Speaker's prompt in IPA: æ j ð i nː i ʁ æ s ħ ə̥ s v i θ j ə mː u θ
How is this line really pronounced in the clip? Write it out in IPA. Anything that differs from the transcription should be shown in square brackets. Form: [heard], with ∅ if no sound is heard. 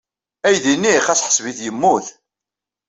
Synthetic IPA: æ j ð i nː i [χ] æ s ħ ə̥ s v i θ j ə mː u θ